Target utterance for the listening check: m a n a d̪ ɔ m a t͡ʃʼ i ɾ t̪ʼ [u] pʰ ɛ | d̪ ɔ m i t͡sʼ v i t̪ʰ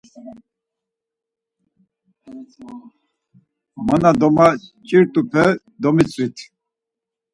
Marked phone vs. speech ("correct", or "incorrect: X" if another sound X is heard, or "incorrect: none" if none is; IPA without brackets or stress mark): correct